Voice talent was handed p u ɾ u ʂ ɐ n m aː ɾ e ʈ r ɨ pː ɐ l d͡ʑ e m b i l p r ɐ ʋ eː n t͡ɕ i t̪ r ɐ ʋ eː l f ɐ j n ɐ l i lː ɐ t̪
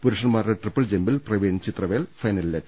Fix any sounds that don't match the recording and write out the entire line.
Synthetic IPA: p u ɾ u ʂ ɐ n m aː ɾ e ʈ r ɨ pː ɐ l d͡ʑ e m b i l p r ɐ ʋ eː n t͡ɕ i t̪ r ɐ ʋ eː l f ɐ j n ɐ l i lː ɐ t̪

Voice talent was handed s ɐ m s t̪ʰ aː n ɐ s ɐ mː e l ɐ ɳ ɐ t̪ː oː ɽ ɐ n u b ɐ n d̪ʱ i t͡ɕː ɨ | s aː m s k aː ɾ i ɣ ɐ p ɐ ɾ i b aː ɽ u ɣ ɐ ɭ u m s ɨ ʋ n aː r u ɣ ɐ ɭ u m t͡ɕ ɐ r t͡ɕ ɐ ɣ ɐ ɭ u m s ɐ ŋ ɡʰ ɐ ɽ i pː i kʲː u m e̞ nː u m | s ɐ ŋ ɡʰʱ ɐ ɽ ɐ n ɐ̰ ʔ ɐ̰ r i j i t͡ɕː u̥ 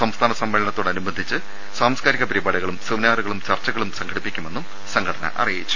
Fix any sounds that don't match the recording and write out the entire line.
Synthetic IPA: s ɐ m s t̪ʰ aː n ɐ s ɐ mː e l ɐ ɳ ɐ t̪ː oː ɽ ɐ n u b ɐ n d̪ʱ i t͡ɕː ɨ | s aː m s k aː ɾ i ɣ ɐ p ɐ ɾ i b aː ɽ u ɣ ɐ ɭ u m s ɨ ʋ n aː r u ɣ ɐ ɭ u m t͡ɕ ɐ r t͡ɕ ɐ ɣ ɐ ɭ u m s ɐ ŋ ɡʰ ɐ ɽ i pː i kʲː u m e̞ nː u m | s ɐ ŋ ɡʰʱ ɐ ɽ ɐ n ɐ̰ ʔ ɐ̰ r i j i t͡ɕː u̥

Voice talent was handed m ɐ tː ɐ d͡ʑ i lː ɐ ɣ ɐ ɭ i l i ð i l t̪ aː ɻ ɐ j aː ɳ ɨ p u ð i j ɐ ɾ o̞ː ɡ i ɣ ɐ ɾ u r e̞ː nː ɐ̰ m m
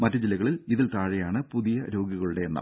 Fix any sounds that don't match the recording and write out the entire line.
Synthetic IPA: m ɐ tː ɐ d͡ʑ i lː ɐ ɣ ɐ ɭ i l i ð i l t̪ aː ɻ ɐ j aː ɳ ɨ p u ð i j ɐ ɾ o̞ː ɡ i ɣ ɐ ɭ u ɽ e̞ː nː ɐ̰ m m

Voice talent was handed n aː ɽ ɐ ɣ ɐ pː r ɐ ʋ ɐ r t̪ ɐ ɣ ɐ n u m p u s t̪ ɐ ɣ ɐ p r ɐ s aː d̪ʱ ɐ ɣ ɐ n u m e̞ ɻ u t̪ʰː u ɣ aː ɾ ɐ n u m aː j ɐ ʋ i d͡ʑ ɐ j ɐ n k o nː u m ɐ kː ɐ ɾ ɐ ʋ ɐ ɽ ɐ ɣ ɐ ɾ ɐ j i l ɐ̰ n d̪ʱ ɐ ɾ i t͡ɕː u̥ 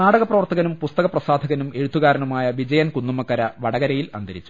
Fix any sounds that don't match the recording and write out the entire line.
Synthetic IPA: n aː ɽ ɐ ɣ ɐ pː r ɐ ʋ ɐ r t̪ ɐ ɣ ɐ n u m p u s t̪ ɐ ɣ ɐ p r ɐ s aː d̪ʱ ɐ ɣ ɐ n u m e̞ ɻ u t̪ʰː u ɣ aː ɾ ɐ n u m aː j ɐ ʋ i d͡ʑ ɐ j ɐ n k u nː u m ɐ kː ɐ ɾ ɐ ʋ ɐ ɽ ɐ ɣ ɐ ɾ ɐ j i l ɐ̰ n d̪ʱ ɐ ɾ i t͡ɕː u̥

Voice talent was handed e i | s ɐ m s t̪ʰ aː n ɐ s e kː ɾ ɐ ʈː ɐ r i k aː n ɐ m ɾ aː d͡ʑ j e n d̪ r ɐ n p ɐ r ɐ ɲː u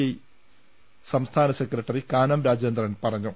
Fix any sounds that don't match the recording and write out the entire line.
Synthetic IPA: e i | s ɐ m s t̪ʰ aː n ɐ s e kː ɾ ɐ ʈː ɐ r i k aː n ɐ m ɾ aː d͡ʑ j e n d̪ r ɐ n p ɐ r ɐ ɲː u

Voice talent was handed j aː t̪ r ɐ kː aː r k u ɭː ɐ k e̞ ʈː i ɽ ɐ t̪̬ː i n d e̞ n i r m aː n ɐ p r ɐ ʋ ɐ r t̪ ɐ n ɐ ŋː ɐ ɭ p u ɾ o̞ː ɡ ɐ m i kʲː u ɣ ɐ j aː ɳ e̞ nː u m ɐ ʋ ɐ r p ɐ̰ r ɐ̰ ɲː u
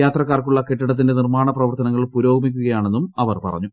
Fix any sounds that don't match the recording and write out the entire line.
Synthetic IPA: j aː t̪ r ɐ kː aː r k u ɭː ɐ k e̞ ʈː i ɽ ɐ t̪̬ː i n d e̞ n i r m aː ɳ ɐ p r ɐ ʋ ɐ r t̪ ɐ n ɐ ŋː ɐ ɭ p u ɾ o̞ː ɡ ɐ m i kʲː u ɣ ɐ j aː ɳ e̞ nː u m ɐ ʋ ɐ r p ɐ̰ r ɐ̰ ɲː u

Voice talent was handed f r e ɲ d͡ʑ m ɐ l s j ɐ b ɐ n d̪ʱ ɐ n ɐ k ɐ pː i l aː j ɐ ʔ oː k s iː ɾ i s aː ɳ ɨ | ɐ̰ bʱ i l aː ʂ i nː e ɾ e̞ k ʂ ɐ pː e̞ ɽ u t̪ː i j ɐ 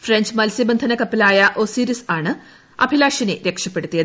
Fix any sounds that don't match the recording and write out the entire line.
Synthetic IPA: f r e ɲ d͡ʑ m ɐ l s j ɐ b ɐ n d̪ʱ ɐ n ɐ k ɐ pː i l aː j ɐ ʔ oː s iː ɾ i s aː ɳ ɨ | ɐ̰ bʱ i l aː ʂ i n e ɾ e̞ k ʂ ɐ pː e̞ ɽ u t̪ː i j ɐ

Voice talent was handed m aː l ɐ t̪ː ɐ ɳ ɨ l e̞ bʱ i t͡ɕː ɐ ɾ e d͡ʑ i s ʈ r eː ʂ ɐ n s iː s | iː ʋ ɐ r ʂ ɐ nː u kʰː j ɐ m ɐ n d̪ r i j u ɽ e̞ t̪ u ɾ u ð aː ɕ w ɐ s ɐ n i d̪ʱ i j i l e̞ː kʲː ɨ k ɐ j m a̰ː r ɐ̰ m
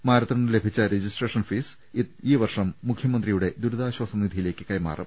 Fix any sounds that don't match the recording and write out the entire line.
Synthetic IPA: m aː ɾ ɐ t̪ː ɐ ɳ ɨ l e̞ bʱ i t͡ɕː ɐ ɾ e d͡ʑ i s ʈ r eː ʂ ɐ n f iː s | iː ʋ ɐ r ʂ ɐ mː u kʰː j ɐ m ɐ n d̪ r i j u ɽ e̞ d̪ u ɾ u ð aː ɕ w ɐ s ɐ n i d̪ʱ i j i l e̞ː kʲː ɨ k ɐ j m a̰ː r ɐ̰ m

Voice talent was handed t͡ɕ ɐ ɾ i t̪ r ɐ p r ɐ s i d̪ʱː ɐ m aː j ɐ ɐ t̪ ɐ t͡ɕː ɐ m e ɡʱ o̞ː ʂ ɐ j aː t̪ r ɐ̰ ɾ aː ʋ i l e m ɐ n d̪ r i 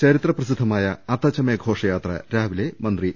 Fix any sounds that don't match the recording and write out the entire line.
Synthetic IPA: t͡ɕ ɐ ɾ i t̪ r ɐ p r ɐ s i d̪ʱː ɐ m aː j ɐ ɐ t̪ ɐ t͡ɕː ɐ m e ɡʱ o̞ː ʂ ɐ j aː t̪ r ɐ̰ ɾ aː ʋ i l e m ɐ n d̪ r i

